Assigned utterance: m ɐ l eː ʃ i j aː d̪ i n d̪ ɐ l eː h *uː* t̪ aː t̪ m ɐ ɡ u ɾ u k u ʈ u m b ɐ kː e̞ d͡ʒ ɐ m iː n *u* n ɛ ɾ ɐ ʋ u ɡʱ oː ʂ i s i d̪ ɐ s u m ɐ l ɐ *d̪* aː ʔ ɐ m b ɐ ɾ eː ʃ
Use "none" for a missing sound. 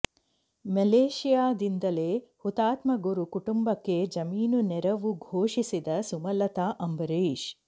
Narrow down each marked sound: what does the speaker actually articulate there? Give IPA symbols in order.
u, u, t̪

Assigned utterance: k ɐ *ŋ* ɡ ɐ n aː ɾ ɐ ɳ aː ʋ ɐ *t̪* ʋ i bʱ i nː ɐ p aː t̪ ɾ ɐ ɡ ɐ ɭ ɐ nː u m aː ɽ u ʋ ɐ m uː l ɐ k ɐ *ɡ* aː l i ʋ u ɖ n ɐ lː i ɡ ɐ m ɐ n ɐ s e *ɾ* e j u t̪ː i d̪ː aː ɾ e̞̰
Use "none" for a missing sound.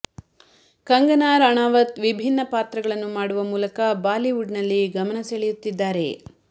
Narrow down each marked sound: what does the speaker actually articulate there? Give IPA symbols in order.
ŋ, t̪, b, ɭ

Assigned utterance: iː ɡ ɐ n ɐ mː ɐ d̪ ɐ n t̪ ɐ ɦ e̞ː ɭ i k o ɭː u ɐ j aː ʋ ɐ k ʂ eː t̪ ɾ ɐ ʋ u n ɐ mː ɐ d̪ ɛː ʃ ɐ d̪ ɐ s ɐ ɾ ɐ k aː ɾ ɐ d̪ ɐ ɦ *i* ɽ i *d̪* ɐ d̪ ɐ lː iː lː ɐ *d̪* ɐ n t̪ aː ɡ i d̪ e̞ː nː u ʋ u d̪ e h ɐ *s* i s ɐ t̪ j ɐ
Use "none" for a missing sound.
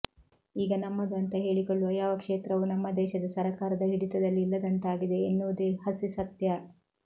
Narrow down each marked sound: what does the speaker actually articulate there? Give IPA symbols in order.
i, t̪, d̪, s

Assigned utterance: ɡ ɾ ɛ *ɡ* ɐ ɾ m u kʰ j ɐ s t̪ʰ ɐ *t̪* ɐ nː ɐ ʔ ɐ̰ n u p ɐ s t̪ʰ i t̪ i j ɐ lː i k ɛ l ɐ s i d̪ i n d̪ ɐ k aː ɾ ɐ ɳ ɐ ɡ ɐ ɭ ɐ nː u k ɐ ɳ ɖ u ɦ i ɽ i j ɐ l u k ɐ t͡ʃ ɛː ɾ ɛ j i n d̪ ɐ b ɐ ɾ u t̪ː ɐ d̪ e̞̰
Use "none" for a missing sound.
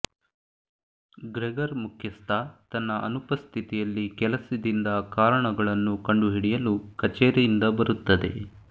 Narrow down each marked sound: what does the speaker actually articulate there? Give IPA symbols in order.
ɡ, t̪

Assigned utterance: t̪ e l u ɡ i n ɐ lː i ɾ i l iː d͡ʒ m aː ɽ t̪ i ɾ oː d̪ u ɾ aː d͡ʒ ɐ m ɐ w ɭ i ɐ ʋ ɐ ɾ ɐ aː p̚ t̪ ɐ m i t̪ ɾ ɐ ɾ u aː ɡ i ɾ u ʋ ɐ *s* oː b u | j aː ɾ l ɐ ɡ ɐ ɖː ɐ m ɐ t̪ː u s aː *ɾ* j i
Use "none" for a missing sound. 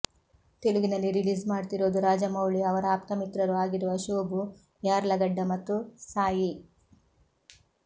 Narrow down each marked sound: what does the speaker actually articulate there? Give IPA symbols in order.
ʃ, none

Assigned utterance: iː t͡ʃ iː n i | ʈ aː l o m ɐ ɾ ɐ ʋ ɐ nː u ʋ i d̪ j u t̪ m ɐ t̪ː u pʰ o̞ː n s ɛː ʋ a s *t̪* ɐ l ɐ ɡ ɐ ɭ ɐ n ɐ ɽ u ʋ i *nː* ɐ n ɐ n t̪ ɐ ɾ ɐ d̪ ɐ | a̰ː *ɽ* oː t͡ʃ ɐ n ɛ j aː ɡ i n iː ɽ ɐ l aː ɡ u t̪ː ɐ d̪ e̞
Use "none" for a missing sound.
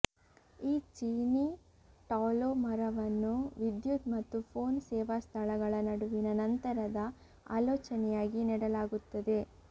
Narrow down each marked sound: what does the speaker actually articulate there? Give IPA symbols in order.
t̪ʰ, n, l

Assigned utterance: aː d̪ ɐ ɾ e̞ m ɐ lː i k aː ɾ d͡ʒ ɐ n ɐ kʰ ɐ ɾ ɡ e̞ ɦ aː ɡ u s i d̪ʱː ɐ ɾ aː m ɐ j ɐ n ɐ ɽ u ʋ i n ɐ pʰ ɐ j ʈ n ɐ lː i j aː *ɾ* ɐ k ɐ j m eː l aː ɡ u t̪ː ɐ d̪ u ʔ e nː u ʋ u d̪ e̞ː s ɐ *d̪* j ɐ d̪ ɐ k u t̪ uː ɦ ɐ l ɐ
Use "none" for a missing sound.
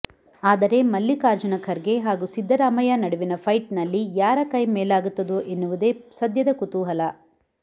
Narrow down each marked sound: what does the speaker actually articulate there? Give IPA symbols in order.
ɾ, d̪

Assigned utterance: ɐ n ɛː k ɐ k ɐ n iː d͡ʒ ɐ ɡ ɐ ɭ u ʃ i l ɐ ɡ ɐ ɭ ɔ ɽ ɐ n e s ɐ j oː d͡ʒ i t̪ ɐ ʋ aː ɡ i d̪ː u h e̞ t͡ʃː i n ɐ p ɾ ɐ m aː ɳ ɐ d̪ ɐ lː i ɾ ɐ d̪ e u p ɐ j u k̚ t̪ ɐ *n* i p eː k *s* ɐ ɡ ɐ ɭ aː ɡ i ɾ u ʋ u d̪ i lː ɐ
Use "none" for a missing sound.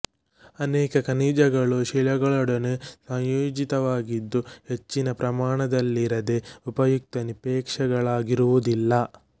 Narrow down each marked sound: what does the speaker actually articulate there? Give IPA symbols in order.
n, ʂ

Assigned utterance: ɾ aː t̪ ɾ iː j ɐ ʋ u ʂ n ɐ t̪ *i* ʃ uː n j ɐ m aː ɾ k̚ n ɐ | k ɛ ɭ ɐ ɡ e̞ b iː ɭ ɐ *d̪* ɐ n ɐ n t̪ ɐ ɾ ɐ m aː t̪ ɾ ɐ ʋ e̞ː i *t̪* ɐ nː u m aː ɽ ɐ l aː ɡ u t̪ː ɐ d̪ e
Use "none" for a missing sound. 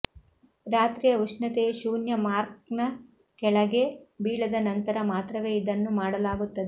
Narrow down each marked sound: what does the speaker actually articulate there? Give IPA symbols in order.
e, d̪, d̪

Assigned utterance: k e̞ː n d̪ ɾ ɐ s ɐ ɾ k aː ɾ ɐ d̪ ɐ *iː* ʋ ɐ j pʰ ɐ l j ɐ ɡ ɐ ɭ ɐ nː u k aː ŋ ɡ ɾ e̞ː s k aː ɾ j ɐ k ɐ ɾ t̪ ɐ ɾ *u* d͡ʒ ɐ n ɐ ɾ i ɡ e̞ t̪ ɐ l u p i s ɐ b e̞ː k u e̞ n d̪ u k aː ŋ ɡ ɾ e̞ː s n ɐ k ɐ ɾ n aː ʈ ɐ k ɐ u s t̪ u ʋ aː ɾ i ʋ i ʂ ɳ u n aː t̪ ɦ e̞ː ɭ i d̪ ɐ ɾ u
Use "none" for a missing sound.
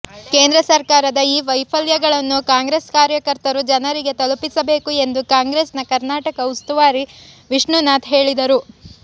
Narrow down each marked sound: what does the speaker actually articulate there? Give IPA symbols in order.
iː, u

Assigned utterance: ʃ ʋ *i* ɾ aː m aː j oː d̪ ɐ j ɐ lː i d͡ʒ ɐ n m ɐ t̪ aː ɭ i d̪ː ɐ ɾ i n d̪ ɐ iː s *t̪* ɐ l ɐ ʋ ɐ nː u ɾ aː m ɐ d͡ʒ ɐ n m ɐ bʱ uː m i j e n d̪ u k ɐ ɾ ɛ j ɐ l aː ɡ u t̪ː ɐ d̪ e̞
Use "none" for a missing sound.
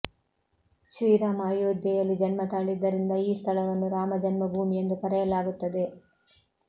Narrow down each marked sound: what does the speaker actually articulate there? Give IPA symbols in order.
iː, t̪ʰ

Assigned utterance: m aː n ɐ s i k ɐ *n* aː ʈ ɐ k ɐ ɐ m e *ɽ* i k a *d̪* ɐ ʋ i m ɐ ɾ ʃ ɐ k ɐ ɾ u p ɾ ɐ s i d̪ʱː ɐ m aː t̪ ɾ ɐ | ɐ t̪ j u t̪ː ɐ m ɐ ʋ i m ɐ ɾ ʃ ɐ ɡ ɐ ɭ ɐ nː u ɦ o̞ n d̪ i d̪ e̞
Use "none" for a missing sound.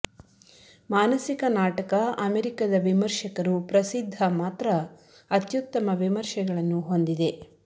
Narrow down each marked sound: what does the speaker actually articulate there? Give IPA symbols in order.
n, ɾ, d̪

